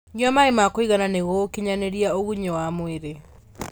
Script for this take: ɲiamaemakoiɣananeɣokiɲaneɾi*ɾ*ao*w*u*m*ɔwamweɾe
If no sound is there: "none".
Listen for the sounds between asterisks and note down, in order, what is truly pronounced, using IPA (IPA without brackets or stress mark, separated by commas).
none, ɣ, ɲ